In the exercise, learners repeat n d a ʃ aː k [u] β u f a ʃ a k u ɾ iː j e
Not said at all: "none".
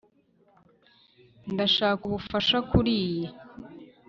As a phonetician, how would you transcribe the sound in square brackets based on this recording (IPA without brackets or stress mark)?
u